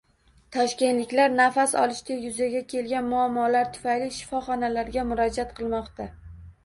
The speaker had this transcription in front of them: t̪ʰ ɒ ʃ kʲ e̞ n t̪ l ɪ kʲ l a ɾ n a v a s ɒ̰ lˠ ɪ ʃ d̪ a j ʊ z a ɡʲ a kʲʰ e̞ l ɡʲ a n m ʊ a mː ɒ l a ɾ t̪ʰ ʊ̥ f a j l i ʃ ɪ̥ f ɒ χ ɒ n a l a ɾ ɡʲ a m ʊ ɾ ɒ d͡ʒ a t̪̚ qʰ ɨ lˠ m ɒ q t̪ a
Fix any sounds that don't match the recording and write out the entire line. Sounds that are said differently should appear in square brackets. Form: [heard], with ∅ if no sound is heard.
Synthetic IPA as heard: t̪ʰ ɒ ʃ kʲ e̞ n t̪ l ɪ kʲ l a ɾ n a [f] a s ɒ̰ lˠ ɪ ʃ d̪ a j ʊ z a ɡʲ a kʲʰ e̞ l ɡʲ a n m ʊ a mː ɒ l a ɾ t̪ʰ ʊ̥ f a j l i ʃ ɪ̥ f ɒ χ ɒ n a l a ɾ ɡʲ a m ʊ ɾ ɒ d͡ʒ a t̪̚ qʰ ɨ lˠ m ɒ q t̪ a